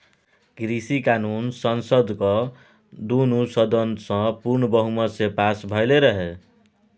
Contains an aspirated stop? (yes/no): no